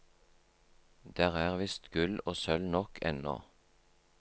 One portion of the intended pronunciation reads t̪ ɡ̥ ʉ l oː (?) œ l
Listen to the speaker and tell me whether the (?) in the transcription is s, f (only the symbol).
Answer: s